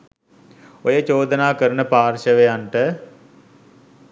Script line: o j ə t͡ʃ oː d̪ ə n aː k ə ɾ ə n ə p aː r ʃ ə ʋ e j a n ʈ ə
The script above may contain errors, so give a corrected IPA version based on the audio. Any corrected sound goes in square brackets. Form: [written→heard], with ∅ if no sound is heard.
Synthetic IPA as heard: o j ə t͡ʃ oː d̪ ə n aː k ə ɾ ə n ə p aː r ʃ ə ʋ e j a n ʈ ə